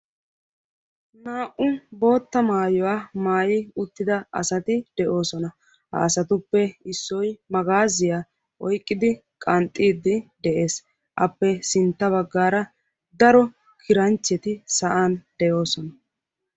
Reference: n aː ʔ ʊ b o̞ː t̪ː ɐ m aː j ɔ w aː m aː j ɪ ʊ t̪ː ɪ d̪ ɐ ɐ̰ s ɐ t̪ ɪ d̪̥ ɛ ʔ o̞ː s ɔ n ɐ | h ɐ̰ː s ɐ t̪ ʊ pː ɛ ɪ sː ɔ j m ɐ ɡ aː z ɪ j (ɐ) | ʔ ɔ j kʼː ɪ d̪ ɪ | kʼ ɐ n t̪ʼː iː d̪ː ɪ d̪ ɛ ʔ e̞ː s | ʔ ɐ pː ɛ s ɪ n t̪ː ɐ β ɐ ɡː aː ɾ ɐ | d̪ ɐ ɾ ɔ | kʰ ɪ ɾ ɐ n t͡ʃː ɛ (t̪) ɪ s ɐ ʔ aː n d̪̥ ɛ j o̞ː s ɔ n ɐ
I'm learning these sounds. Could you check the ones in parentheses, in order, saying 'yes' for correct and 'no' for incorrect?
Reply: no, yes

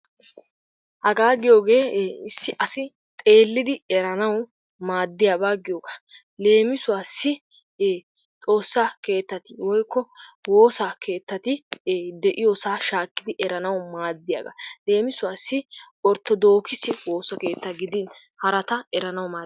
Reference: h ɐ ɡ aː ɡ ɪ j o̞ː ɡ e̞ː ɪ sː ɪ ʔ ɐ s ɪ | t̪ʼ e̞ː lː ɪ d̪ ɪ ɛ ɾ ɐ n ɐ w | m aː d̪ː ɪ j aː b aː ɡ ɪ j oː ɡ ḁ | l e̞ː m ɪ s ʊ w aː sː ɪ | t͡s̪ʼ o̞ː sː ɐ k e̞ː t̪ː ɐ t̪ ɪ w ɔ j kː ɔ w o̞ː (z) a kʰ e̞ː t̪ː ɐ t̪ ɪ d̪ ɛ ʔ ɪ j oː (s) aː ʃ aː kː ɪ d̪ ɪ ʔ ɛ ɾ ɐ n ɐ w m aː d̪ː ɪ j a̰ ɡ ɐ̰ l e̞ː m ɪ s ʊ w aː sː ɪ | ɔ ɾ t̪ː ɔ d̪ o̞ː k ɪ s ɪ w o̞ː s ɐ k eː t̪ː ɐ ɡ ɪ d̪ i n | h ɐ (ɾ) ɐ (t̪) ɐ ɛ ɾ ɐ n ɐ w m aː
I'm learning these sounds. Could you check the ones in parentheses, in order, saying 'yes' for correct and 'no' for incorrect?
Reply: no, yes, yes, yes

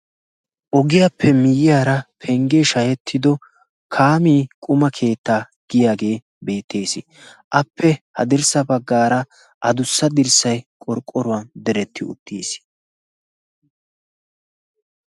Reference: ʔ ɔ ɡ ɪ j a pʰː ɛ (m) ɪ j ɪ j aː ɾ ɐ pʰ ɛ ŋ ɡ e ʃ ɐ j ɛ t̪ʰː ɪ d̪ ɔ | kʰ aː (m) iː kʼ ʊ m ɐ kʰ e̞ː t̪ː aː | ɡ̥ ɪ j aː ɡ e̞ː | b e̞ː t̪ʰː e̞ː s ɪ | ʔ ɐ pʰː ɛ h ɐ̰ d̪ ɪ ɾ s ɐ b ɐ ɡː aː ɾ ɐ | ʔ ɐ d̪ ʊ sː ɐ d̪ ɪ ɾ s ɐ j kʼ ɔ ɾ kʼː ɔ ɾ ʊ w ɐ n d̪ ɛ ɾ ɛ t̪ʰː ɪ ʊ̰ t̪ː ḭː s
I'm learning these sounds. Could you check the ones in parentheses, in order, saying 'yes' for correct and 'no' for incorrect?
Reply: yes, yes

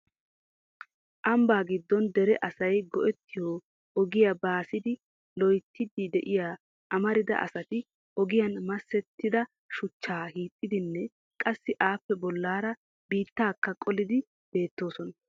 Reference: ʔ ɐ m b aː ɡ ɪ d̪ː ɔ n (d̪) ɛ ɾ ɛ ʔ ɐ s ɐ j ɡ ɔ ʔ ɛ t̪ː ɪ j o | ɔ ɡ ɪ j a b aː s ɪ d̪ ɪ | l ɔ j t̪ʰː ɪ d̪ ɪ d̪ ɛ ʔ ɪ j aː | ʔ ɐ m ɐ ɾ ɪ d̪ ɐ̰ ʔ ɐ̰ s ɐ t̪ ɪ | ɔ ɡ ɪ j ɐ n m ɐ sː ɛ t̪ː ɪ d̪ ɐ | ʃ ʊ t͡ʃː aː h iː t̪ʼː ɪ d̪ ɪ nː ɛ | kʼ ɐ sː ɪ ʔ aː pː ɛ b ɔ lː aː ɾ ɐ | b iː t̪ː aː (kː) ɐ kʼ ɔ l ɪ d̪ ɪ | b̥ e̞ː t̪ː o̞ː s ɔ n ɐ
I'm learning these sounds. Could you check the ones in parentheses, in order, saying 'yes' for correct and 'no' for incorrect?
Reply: yes, yes

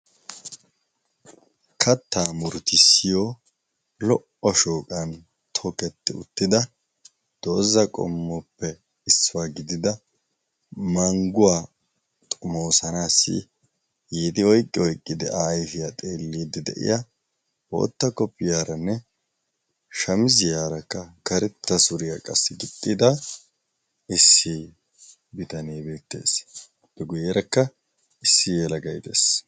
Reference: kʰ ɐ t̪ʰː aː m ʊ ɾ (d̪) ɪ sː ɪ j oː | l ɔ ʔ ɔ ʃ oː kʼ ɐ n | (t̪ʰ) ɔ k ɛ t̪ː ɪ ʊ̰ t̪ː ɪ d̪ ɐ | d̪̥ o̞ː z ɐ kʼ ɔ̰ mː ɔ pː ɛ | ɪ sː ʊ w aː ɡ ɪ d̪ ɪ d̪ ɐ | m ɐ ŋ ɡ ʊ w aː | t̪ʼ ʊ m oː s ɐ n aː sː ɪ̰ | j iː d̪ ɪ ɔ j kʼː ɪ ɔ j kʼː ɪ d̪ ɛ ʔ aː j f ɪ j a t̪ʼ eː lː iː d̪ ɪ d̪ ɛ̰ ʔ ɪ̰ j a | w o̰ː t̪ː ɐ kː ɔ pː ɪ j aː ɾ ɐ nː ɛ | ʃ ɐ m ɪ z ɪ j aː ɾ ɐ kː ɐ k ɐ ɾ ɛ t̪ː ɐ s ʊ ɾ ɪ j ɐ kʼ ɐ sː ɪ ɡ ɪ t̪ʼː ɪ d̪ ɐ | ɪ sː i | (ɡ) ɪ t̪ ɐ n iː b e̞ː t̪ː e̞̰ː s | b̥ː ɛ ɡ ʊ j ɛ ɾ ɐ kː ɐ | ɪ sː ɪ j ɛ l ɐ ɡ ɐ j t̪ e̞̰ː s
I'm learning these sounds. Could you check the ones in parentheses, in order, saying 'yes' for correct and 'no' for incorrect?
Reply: no, yes, no

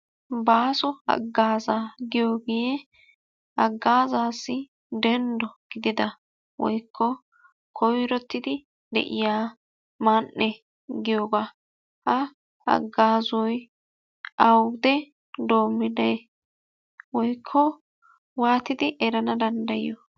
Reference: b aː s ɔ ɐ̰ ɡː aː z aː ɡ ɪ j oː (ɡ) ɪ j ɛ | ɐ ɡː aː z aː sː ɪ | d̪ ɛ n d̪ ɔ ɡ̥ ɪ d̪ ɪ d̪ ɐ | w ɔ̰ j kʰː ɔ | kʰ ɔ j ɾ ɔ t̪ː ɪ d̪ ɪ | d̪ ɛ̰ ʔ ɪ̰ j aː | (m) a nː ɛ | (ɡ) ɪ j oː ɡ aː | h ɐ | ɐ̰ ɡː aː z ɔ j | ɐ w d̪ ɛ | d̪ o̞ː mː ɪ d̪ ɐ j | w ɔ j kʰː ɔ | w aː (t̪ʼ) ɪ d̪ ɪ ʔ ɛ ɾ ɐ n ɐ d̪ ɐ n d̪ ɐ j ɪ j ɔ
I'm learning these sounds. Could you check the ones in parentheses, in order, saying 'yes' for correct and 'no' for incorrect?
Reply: yes, yes, yes, no

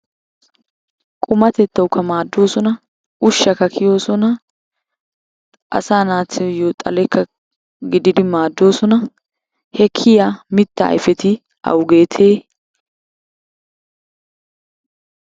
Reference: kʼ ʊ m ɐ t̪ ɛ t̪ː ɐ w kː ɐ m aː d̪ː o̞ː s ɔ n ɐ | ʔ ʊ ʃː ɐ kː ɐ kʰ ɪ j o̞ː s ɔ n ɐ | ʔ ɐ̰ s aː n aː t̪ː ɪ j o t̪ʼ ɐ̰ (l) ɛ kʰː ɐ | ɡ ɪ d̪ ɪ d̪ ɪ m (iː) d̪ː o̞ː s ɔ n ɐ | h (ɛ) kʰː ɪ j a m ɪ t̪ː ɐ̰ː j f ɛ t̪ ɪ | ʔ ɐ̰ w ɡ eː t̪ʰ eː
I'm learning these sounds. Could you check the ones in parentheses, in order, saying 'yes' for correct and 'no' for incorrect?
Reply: yes, no, yes

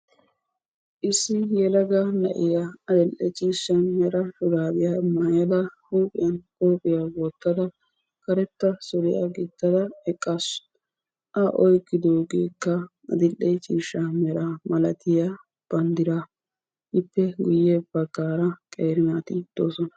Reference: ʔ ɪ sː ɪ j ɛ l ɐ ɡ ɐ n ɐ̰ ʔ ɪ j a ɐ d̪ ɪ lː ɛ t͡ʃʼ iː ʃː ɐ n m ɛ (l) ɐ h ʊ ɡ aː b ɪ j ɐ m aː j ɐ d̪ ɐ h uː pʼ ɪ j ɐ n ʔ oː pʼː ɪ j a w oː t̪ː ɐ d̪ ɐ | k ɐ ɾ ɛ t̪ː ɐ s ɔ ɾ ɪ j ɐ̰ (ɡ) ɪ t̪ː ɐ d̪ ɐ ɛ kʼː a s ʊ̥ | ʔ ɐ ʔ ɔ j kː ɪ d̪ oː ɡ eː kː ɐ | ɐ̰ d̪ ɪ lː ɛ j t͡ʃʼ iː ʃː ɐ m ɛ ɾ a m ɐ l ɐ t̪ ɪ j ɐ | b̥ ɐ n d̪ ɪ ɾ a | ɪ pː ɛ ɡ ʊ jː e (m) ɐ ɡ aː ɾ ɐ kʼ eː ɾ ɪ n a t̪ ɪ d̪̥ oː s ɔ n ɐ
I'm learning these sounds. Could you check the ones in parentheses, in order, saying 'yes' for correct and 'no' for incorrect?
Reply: no, yes, no

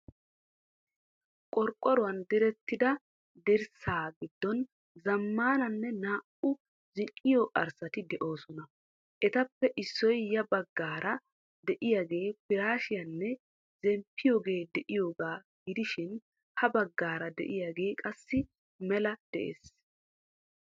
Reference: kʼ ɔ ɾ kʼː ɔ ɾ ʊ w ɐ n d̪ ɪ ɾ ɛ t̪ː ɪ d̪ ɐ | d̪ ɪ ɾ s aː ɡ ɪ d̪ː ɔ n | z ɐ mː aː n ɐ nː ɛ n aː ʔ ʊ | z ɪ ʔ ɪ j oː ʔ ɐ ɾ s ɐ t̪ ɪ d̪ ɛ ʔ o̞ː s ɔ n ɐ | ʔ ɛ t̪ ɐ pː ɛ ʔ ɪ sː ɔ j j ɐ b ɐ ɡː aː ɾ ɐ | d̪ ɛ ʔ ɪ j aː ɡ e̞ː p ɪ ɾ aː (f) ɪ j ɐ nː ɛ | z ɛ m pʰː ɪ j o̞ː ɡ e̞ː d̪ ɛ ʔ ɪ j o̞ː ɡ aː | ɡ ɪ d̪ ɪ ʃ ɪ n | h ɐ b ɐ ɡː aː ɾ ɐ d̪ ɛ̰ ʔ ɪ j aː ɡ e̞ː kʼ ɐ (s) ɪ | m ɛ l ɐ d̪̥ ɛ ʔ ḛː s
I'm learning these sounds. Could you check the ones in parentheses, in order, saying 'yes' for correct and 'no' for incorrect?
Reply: no, no

